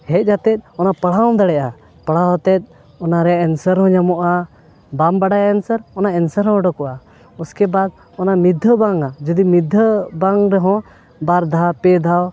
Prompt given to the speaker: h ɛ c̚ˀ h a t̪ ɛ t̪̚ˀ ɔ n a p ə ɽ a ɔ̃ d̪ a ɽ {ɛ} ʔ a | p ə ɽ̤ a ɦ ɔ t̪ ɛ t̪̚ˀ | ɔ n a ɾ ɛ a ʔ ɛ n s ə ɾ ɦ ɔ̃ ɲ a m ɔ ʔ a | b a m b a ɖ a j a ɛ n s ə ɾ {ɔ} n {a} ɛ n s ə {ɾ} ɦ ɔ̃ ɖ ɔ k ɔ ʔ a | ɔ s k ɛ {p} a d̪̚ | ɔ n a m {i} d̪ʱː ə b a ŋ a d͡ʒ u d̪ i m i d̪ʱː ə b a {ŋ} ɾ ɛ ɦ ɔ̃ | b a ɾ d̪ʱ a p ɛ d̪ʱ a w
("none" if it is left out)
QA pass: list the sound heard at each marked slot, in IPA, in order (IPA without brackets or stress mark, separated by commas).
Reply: ɛ, ɔ, a, ɾ, b, i, ŋ